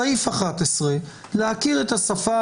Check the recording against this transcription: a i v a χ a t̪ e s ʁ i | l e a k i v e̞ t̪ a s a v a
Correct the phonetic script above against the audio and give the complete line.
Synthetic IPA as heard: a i f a χ a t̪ e s ʁ e | l e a k i ʁ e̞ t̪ a s a f a